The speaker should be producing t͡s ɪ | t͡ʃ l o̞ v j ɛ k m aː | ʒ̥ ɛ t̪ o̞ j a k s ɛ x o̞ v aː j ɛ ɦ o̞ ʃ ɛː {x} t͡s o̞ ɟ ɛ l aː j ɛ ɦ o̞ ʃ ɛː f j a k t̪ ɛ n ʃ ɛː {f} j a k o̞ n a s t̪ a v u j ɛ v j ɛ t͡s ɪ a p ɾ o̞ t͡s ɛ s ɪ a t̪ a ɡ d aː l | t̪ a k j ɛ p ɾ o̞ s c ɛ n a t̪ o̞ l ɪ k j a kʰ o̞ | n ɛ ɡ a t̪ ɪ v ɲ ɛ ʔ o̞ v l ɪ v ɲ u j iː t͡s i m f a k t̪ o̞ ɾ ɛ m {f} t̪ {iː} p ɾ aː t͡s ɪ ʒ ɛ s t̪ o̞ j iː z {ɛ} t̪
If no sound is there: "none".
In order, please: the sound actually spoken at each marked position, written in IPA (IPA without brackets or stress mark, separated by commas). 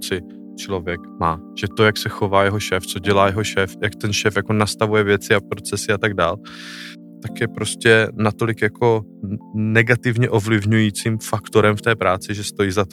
f, f, f, ɛː, a